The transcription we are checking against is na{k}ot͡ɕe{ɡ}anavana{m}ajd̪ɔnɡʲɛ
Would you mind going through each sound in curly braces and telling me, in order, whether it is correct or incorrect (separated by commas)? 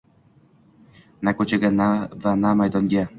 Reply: correct, correct, correct